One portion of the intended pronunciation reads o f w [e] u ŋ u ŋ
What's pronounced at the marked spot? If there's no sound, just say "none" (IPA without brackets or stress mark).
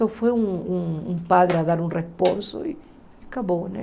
e